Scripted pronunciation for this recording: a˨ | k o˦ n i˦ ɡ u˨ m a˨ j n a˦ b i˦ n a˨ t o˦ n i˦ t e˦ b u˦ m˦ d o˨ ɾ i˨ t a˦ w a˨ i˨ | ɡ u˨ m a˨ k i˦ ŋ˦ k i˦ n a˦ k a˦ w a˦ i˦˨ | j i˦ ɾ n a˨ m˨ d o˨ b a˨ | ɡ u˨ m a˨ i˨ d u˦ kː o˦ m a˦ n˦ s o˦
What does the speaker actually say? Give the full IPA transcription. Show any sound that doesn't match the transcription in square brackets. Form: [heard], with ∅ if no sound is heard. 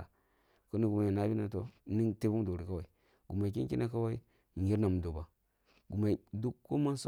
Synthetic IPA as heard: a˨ | k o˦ n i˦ ɡ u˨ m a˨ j n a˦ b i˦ n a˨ t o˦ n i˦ t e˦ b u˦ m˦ d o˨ ɾ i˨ [k] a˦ w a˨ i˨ | ɡ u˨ m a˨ k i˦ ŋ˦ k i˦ n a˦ k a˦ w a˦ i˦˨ | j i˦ ɾ n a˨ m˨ d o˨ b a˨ | ɡ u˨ m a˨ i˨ d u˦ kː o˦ m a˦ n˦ s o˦